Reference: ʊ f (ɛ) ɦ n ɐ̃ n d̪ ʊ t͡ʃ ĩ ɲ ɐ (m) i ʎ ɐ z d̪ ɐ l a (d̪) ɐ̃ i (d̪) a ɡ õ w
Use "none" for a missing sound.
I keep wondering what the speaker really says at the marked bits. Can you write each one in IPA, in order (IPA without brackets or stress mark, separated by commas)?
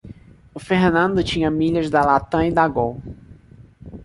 e, m, t̪, d̪